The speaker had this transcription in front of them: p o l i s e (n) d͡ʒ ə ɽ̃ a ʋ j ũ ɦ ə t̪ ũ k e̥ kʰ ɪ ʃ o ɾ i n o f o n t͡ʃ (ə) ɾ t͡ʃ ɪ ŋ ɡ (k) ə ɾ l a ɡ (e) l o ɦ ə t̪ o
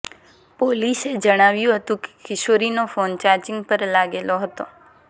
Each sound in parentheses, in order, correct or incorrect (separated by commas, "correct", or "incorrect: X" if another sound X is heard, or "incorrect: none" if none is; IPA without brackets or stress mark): incorrect: none, incorrect: a, incorrect: p, correct